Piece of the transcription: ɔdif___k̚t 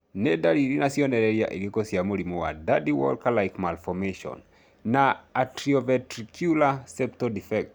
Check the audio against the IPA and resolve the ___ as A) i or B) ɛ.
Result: B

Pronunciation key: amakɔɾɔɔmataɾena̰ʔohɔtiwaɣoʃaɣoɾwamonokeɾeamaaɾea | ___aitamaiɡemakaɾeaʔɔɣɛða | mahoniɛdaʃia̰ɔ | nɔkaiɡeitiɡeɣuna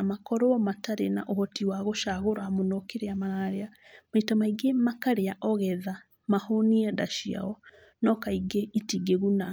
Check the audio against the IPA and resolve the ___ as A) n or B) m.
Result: B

